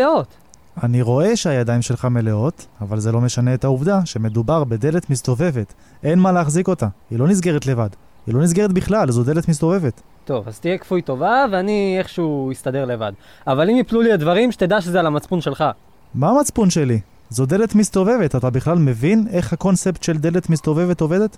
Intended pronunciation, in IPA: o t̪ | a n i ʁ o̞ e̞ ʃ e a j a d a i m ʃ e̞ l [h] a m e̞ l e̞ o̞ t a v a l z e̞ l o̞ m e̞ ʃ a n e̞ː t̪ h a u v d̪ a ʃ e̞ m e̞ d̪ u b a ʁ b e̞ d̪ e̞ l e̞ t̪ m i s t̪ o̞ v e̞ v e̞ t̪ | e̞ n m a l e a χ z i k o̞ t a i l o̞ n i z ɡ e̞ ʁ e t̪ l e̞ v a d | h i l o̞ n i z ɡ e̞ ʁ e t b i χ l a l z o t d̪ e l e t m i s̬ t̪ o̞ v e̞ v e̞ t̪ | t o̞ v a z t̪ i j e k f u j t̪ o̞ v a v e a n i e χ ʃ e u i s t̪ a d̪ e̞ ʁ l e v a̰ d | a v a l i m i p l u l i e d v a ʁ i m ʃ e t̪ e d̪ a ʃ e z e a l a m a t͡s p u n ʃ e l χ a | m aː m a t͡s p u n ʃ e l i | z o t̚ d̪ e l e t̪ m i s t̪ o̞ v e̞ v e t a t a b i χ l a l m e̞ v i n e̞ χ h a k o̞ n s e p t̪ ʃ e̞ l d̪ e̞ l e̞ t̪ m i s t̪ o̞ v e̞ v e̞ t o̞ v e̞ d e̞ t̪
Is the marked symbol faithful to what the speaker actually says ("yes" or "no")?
no